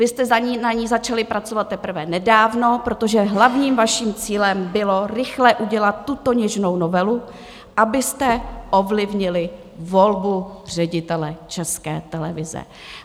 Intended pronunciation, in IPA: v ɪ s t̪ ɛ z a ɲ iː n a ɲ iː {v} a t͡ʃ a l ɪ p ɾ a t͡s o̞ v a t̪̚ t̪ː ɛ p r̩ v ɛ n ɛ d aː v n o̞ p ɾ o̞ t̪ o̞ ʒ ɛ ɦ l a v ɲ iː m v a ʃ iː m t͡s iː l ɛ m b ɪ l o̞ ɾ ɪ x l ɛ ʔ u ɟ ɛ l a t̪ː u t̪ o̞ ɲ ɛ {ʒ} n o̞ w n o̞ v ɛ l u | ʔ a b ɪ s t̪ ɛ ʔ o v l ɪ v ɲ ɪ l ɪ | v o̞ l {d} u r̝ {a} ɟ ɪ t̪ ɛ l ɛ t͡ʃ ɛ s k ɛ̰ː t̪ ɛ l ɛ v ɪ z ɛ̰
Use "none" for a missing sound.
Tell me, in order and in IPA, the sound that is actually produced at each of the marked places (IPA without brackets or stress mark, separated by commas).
z, ʒ, b, ɛ